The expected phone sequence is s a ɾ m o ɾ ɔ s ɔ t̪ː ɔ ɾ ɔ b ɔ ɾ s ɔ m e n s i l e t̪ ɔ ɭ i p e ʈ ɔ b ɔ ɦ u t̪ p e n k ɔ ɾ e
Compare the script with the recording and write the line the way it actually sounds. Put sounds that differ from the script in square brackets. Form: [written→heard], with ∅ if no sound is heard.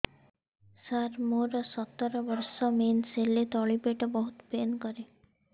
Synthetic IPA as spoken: s a ɾ m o ɾ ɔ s ɔ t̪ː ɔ ɾ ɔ b ɔ ɾ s ɔ m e n s [i→e] l e t̪ ɔ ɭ i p e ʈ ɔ b ɔ ɦ u t̪ p e n k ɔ ɾ e